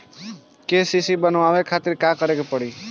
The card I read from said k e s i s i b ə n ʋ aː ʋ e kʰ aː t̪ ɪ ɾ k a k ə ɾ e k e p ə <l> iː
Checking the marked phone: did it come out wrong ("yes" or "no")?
yes